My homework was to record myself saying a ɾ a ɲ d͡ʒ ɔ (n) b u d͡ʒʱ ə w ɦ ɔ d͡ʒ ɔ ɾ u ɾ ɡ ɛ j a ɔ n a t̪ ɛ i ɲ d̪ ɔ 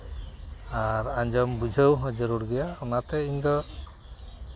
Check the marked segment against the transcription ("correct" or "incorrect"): incorrect